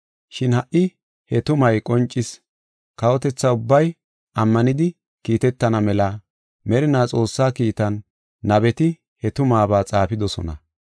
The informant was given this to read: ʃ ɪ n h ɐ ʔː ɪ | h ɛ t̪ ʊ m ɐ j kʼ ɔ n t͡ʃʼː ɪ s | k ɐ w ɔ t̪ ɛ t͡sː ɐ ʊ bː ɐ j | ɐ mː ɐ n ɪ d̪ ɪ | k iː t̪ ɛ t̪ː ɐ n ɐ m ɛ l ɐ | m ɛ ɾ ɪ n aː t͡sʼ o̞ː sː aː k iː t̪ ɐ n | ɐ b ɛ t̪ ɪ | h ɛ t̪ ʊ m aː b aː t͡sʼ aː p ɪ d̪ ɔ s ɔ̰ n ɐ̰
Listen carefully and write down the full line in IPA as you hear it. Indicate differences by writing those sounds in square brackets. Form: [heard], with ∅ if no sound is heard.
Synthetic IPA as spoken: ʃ ɪ n h ɐ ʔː ɪ | h ɛ t̪ ʊ m ɐ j kʼ ɔ n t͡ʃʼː ɪ s | k ɐ w ɔ t̪ ɛ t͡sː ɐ ʊ bː ɐ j | ɐ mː ɐ n ɪ d̪ ɪ | k iː t̪ ɛ t̪ː ɐ n ɐ m ɛ l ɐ | m ɛ ɾ ɪ n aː t͡sʼ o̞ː sː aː k iː t̪ ɐ [nː] | ɐ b ɛ t̪ ɪ | h ɛ t̪ ʊ m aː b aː t͡sʼ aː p ɪ d̪ ɔ s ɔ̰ n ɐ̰